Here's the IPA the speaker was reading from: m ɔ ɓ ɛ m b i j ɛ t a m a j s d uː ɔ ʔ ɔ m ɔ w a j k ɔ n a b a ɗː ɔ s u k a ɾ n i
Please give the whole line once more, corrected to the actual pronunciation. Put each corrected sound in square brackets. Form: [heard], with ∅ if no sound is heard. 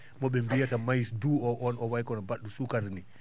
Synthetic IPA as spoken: m ɔ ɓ ɛ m b i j [a] t a m a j s d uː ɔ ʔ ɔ [n] ɔ w a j k ɔ n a b a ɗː [u] s u k a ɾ n i